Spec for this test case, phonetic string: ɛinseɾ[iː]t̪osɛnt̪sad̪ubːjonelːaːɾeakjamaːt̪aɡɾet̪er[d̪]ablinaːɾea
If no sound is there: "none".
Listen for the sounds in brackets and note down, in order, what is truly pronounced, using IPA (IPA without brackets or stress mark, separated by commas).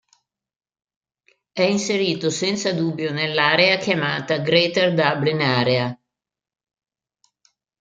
iː, d̪